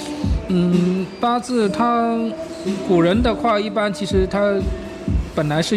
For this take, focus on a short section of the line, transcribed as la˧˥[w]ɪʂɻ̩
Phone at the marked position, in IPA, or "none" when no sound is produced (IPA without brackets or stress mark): none